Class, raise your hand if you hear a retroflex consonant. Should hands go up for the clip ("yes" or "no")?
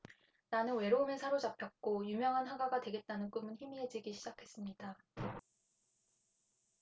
no